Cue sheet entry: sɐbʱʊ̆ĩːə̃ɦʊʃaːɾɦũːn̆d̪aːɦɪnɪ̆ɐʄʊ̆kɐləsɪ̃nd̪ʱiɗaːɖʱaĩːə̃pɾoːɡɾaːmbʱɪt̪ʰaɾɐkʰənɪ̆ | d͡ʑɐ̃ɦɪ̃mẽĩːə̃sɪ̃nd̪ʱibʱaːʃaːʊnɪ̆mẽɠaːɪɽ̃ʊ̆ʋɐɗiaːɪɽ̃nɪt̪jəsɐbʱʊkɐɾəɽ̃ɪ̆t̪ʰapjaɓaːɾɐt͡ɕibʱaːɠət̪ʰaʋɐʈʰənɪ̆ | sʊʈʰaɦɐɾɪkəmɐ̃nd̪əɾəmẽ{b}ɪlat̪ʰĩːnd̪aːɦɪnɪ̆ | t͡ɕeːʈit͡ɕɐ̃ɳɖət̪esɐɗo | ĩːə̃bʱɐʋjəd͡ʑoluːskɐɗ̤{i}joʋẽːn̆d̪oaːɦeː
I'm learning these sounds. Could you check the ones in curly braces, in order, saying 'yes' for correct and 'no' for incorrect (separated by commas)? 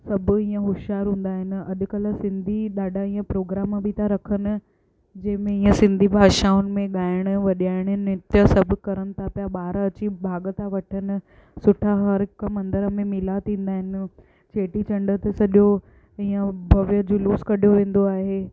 no, yes